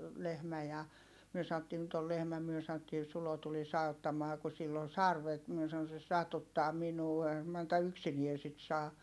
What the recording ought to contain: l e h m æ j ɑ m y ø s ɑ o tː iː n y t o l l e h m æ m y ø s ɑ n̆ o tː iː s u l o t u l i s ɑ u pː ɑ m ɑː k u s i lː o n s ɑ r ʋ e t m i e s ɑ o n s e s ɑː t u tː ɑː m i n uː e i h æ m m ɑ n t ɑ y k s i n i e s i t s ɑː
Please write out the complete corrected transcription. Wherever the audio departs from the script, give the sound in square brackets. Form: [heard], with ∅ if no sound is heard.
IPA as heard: l e h m æ j ɑ m y ø s ɑ o tː iː n y t o l l e h m æ m y ø s ɑ n̆ o tː iː s u l o t u l i s ɑ u [tː] ɑ m ɑː k u s i lː o n s ɑ r ʋ e t m i e s ɑ o n s e s [ɑ] t u tː ɑː m i n uː e i h æ m m ɑ n t ɑ y k s i n i e s i t s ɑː